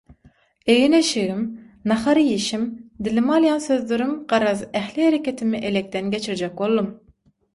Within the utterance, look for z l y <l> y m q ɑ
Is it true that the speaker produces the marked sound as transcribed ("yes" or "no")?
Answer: no